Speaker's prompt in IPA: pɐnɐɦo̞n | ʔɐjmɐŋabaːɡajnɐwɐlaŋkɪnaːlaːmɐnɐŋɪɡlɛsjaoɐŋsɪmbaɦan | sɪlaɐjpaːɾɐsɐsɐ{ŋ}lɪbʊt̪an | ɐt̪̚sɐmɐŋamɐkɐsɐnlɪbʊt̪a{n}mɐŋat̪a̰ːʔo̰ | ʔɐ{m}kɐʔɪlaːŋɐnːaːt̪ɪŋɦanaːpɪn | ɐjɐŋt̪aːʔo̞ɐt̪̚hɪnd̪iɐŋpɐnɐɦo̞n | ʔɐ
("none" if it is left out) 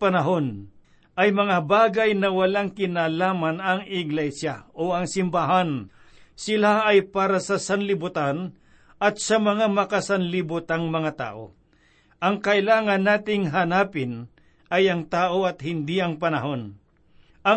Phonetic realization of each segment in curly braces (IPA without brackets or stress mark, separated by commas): n, ŋ, ŋ